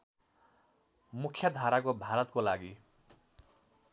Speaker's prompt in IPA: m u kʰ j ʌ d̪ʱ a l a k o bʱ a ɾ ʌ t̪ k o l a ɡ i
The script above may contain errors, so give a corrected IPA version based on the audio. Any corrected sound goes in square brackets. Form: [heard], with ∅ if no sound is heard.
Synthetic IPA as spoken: m u kʰ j ʌ d̪ʱ a [ɾ] a k o bʱ a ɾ ʌ t̪ k o l a ɡ i